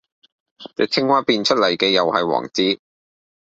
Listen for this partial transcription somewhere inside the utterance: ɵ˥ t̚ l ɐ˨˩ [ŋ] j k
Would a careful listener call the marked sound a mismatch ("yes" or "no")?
yes